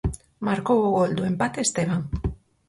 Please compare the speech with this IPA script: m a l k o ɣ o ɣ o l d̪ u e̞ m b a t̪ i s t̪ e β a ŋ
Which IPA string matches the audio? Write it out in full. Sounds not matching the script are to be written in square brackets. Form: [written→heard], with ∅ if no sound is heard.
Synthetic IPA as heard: m a [l→ɾ] k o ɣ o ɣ o l d̪ u e̞ m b a t̪ [i→e] s t̪ e β a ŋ